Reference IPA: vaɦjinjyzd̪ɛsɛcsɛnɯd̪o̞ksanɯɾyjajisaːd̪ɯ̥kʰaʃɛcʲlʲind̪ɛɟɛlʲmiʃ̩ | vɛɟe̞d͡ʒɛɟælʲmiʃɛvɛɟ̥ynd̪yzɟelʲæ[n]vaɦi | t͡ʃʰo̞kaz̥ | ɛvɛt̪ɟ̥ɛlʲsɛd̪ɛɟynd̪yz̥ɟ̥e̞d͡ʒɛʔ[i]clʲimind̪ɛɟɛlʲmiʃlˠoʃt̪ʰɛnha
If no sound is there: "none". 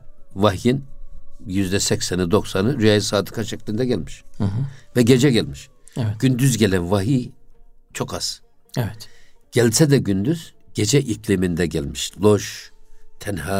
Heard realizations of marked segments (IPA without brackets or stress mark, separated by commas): n, i